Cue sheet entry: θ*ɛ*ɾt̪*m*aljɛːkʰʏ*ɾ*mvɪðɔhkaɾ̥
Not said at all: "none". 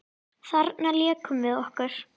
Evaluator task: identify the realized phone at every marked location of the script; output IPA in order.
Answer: a, n, none

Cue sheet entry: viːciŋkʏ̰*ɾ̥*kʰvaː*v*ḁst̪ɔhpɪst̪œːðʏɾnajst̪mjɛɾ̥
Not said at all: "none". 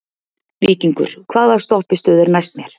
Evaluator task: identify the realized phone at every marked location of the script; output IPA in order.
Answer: ɾ̥, ð

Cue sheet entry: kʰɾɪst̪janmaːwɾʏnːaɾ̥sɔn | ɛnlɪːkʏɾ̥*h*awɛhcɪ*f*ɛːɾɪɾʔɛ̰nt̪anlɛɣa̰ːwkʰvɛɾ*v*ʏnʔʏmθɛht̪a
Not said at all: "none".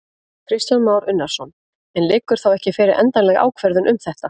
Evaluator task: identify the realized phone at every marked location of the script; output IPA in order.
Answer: θ, f, ð

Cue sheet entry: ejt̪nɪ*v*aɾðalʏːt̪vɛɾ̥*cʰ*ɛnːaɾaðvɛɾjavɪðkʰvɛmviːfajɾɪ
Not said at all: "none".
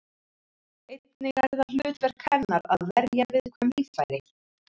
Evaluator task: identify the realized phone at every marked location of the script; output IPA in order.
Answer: ɣ, kʰ

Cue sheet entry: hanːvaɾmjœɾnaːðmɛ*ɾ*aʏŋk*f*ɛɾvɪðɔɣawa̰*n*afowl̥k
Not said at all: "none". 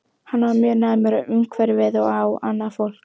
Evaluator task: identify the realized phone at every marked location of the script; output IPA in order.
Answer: ɾ, v, nː

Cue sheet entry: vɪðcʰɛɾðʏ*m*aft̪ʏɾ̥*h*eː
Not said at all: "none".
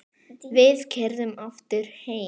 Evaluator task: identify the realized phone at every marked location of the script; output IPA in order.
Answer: m, h

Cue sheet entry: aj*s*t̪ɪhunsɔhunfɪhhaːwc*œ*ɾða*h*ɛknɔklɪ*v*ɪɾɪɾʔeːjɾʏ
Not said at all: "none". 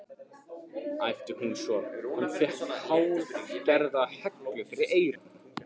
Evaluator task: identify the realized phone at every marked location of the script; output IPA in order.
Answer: f, ɛ, h, f

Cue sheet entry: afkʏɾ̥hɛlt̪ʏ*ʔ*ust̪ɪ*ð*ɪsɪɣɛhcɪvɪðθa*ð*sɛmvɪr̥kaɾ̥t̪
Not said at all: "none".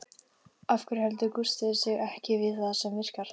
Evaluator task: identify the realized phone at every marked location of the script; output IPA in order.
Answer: k, ð, ð

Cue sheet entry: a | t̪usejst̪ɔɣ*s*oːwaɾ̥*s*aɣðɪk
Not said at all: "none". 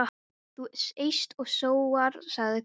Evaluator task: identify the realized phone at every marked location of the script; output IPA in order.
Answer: s, s

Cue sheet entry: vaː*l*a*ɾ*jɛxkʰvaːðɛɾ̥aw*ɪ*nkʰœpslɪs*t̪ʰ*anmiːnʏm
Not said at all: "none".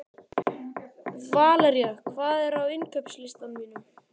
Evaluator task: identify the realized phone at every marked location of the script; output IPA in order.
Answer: l, ɾ, ɪ, t̪

